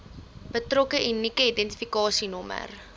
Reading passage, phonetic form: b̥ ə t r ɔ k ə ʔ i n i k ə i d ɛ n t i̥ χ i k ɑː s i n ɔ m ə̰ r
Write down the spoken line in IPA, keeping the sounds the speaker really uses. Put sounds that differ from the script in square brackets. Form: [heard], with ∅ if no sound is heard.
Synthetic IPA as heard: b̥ ə t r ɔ k ə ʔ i n i k ə i d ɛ n t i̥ [f] i k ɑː s i n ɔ m ə̰ r